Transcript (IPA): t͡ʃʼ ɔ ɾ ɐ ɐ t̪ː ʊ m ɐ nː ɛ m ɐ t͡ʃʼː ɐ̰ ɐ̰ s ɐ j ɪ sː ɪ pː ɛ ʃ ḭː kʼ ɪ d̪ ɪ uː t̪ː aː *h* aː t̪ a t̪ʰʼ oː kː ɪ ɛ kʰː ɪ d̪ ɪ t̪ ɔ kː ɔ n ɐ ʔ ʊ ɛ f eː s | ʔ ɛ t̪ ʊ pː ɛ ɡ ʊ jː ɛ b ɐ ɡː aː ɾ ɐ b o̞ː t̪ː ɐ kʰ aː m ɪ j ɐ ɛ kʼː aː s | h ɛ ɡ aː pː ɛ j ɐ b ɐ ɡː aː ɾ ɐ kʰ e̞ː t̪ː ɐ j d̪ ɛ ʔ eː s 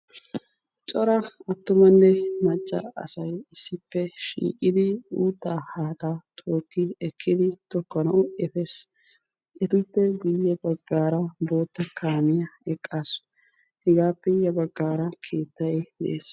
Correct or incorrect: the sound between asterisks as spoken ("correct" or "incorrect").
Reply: correct